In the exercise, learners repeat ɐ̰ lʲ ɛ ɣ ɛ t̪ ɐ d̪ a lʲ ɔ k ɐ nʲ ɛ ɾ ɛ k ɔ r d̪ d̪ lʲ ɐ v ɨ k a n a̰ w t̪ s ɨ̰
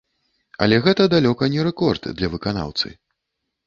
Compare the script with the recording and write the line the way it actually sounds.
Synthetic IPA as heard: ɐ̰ lʲ ɛ ɣ ɛ t̪ ɐ d̪ a lʲ ɔ k ɐ nʲ ɛ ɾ ɛ k ɔ r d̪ d̪ lʲ ɐ v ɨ k a n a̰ w t̪ s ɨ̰